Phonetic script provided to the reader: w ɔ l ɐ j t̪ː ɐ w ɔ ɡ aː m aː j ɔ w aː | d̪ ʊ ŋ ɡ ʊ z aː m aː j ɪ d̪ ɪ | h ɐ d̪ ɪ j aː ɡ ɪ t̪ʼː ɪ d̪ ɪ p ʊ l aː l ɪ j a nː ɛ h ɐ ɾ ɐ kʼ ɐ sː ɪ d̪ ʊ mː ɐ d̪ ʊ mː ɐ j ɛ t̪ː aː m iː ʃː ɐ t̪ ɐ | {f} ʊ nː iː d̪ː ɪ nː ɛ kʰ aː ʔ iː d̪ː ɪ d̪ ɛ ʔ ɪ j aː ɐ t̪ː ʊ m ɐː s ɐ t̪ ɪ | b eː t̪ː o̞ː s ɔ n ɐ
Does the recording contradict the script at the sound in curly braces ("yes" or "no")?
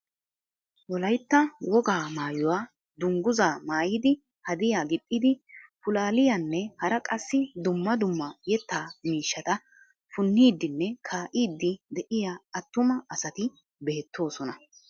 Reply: no